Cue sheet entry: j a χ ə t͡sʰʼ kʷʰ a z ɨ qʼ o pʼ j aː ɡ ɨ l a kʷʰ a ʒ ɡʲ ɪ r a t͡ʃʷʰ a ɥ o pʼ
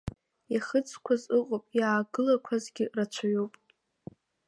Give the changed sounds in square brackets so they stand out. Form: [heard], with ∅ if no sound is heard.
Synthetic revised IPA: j a χ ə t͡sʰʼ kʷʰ a z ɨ qʼ o pʼ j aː ɡ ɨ l a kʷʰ a [z] ɡʲ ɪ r a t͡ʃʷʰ a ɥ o pʼ